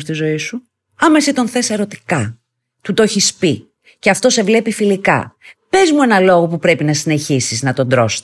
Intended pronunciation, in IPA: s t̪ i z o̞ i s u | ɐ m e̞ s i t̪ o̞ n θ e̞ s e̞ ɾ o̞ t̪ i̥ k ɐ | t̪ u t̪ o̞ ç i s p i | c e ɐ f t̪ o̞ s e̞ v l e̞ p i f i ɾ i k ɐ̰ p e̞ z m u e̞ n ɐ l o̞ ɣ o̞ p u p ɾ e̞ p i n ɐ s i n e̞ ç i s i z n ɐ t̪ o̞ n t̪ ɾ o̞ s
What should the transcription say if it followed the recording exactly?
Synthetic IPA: s t̪ i z o̞ i s u | ɐ m e̞ s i t̪ o̞ n θ e̞ s e̞ ɾ o̞ t̪ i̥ k ɐ | t̪ u t̪ o̞ ç i s p i | c e ɐ f t̪ o̞ s e̞ v l e̞ p i f i l i k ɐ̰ p e̞ z m u e̞ n ɐ l o̞ ɣ o̞ p u p ɾ e̞ p i n ɐ s i n e̞ ç i s i z n ɐ t̪ o̞ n d̪ ɾ o̞ s